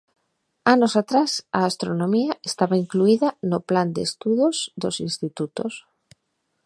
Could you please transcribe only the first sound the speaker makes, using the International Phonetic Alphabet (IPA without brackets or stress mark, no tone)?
a